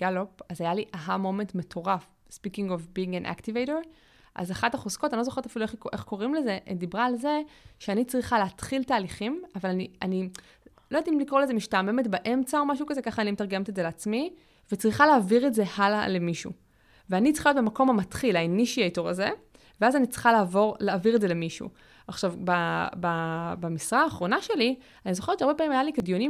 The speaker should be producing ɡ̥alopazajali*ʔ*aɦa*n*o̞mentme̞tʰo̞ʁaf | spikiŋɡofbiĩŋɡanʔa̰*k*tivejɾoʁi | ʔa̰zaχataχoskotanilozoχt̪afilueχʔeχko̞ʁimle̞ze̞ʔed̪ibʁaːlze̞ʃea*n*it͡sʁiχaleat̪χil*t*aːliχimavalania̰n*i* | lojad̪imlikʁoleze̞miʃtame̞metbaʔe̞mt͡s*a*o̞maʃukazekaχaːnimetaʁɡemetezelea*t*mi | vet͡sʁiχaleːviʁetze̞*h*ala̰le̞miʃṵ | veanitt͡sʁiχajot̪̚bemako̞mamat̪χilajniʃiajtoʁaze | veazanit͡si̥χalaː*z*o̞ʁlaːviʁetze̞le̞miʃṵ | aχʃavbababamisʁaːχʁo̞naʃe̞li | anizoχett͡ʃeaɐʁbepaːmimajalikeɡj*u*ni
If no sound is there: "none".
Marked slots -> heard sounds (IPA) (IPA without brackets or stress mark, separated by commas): ʔ, m, k, n, t, i, a, t͡s, h, v, o